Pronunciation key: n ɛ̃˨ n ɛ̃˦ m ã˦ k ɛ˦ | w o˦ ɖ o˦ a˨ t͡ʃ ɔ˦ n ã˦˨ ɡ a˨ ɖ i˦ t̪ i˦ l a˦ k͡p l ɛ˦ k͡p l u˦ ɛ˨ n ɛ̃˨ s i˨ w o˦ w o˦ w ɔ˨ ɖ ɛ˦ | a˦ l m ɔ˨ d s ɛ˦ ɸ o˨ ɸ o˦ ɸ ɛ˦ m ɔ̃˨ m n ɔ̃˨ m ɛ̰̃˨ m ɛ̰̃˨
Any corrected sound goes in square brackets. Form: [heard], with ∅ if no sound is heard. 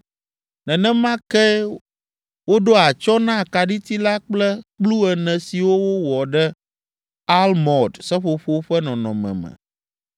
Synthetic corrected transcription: n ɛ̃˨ n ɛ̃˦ m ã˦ k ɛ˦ | w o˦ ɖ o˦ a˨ t͡ʃ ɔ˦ n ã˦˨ [k] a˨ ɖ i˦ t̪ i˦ l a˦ k͡p l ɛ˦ k͡p l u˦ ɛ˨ n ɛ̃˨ s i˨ w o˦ w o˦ w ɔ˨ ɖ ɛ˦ | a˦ l m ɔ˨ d s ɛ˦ ɸ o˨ ɸ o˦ ɸ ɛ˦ [n] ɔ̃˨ [∅] n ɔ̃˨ m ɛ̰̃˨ m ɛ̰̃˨